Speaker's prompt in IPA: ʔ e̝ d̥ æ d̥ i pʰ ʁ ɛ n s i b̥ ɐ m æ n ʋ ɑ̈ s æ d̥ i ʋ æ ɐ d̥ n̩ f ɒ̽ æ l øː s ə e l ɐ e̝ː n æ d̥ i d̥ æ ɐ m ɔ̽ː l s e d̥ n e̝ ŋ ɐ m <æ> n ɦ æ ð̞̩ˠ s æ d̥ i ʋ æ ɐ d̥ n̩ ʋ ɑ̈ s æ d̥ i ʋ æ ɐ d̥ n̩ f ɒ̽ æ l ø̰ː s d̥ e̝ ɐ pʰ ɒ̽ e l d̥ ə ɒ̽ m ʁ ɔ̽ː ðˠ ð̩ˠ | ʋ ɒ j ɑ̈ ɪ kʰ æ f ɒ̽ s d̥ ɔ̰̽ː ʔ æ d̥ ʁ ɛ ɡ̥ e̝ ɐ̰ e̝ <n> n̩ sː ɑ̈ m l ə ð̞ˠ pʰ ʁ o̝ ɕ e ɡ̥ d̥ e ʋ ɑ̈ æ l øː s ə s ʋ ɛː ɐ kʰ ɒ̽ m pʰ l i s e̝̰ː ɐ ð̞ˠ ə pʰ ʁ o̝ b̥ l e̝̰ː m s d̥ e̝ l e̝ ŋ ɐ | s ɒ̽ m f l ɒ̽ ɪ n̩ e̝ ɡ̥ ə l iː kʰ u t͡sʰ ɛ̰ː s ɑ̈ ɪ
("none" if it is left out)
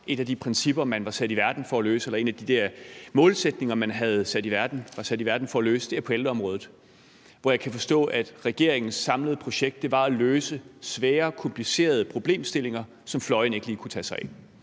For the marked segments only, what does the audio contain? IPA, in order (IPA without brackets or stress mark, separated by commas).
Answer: æ, ŋ